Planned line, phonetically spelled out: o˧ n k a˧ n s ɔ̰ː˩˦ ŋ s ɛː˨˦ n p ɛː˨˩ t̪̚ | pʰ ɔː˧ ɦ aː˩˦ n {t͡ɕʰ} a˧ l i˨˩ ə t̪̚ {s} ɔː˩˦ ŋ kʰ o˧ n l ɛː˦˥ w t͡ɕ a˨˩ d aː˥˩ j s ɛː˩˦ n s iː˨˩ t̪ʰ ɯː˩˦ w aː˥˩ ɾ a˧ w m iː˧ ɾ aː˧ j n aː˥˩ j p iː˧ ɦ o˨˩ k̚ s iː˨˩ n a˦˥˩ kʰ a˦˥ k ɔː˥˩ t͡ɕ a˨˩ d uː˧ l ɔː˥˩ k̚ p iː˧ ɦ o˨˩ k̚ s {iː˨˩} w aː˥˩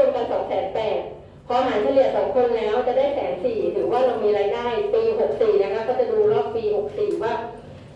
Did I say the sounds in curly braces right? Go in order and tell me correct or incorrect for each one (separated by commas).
correct, correct, correct